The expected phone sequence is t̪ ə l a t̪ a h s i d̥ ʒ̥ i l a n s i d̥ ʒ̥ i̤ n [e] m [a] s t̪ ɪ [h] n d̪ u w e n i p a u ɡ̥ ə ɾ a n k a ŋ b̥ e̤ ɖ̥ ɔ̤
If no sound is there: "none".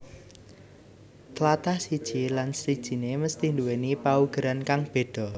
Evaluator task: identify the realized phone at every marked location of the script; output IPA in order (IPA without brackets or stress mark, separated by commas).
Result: e, ə, h